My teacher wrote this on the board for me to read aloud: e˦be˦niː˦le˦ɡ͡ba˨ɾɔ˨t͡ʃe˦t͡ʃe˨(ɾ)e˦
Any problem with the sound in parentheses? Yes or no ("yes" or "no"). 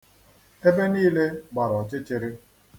no